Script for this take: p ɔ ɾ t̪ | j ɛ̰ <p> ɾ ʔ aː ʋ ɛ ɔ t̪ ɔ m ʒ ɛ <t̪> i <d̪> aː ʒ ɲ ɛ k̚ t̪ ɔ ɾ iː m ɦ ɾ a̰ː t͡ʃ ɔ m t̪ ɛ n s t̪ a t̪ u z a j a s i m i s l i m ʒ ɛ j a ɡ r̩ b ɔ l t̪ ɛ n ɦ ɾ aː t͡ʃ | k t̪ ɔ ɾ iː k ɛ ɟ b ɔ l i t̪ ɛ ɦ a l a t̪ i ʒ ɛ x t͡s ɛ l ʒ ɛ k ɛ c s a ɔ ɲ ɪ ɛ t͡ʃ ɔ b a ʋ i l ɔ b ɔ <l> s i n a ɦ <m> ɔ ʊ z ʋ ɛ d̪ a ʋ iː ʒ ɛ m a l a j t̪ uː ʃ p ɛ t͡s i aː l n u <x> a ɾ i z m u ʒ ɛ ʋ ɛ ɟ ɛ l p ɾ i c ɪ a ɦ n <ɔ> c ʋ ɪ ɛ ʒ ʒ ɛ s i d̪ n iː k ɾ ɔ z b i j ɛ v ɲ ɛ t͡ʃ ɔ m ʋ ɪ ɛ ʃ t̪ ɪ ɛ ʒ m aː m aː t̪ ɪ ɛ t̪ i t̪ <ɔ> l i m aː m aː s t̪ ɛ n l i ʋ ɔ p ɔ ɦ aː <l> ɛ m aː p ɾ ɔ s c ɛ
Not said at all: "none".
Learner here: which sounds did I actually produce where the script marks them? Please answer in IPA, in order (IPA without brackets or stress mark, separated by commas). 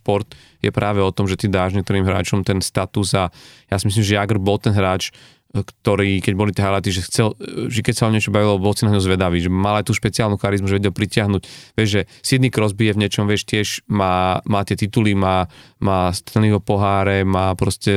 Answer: p, t̪, d̪, l, ɲ, x, u, u, ɾ